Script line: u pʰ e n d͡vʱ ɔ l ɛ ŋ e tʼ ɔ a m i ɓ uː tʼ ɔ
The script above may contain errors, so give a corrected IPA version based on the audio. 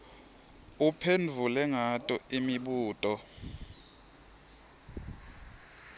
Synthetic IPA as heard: u pʰ e n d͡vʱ u l ɛ ŋ a tʼ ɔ i m i ɓ uː tʼ ɔ